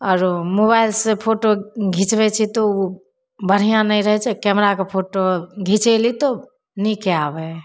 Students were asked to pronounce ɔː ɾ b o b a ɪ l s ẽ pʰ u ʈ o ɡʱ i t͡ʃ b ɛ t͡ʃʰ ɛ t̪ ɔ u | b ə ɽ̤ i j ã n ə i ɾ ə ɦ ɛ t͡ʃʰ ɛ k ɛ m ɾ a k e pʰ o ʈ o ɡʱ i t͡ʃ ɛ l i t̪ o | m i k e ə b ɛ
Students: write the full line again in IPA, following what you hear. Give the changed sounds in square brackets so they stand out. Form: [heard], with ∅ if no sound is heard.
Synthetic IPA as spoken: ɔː ɾ [m] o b a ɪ l s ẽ pʰ [o] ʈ o ɡʱ i t͡ʃ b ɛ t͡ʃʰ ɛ t̪ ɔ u | b ə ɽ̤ i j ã n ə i ɾ ə ɦ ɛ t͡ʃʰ ɛ k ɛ m ɾ a k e pʰ o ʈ o ɡʱ i t͡ʃ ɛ l i t̪ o | [n] i k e [a] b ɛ